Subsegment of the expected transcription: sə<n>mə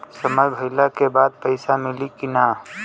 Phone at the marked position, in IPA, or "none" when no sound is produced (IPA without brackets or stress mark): none